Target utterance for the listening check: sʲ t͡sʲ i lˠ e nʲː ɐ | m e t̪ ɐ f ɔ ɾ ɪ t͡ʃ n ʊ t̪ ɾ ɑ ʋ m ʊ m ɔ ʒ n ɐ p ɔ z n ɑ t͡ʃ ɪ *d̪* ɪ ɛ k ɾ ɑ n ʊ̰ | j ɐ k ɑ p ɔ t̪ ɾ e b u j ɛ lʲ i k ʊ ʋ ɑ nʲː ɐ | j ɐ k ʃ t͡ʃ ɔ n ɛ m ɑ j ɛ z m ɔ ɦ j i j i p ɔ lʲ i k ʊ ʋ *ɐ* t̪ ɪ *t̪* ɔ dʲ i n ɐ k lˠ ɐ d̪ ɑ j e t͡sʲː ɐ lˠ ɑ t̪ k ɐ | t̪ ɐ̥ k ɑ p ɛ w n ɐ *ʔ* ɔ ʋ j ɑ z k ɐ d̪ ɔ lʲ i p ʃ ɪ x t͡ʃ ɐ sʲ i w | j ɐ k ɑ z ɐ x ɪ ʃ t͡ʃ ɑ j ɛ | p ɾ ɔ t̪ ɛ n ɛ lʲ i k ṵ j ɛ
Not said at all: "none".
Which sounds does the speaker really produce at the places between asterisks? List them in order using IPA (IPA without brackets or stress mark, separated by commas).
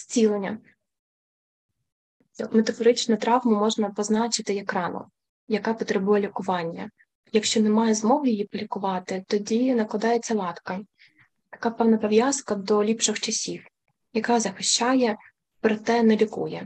t̪, ɑ, t̪, p